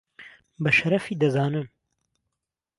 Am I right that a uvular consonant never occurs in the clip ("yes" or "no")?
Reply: yes